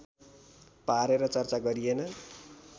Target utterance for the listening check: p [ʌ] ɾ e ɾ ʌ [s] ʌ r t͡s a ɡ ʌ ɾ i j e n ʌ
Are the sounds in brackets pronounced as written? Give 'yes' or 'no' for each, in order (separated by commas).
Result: no, no